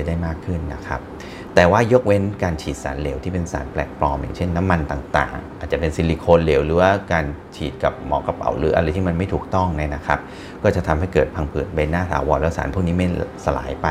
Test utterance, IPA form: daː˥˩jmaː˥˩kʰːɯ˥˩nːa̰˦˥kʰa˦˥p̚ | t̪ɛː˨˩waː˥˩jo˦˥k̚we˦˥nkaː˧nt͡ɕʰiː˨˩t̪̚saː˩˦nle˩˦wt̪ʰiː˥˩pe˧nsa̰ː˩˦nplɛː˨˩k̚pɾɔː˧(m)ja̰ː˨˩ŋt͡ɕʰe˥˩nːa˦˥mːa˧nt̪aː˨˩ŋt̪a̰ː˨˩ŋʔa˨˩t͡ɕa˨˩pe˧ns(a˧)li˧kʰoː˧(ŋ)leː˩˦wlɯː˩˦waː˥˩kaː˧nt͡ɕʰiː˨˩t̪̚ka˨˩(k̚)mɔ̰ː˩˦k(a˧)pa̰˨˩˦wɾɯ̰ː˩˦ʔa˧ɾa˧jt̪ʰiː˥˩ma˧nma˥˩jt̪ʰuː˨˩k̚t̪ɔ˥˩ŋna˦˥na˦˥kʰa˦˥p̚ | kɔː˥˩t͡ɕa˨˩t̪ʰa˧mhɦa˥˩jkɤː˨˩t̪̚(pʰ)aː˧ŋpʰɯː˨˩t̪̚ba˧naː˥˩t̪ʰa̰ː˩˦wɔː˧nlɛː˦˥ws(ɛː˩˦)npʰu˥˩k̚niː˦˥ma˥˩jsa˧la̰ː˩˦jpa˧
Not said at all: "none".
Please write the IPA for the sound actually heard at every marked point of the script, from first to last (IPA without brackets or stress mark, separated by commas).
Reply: m, i˧, n, p̚, a˧, pʰ, aː˩˦